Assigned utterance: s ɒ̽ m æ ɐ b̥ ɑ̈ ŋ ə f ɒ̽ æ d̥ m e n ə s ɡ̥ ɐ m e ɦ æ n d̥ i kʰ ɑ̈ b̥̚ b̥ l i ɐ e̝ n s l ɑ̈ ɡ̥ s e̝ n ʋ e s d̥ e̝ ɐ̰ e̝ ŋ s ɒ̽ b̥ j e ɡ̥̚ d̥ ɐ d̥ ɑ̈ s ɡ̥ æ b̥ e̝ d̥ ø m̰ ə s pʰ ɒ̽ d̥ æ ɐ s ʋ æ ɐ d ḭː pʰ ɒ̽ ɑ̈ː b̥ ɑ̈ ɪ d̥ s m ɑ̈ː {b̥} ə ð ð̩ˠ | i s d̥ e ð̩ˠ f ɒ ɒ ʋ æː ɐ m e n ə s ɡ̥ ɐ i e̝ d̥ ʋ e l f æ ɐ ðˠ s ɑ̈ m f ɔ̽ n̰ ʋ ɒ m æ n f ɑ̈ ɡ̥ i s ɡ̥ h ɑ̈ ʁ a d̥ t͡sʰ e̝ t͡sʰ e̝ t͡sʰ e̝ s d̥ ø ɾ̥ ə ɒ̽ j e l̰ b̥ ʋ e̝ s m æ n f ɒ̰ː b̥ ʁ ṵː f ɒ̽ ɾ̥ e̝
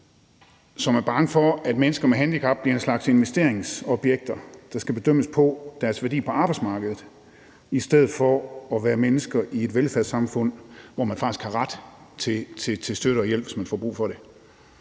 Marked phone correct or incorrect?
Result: incorrect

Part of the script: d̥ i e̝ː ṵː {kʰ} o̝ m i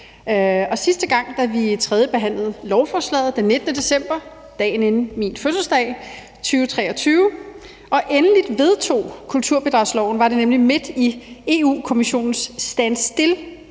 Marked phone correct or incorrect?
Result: correct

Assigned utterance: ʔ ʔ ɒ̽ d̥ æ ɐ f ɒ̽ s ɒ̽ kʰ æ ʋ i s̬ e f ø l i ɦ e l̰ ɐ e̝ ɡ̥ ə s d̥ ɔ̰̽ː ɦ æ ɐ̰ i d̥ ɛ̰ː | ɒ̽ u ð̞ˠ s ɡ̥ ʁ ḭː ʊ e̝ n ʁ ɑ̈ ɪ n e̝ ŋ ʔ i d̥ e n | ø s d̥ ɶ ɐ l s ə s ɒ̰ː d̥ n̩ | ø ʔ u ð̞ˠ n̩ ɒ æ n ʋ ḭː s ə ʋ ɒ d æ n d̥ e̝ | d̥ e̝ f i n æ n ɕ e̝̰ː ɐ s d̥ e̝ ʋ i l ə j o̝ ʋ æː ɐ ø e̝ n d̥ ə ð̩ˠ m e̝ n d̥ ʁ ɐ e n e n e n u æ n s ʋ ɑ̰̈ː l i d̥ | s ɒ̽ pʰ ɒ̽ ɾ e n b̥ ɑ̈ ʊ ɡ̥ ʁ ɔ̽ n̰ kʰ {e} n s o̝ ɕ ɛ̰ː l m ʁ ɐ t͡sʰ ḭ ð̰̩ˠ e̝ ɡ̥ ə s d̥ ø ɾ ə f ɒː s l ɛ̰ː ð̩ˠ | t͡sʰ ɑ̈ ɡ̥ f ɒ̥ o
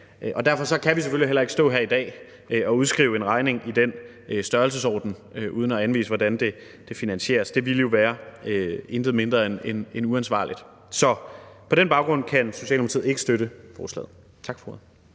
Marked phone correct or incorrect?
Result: incorrect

